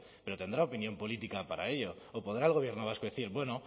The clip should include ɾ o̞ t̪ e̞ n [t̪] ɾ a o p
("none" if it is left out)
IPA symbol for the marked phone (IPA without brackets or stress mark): d̪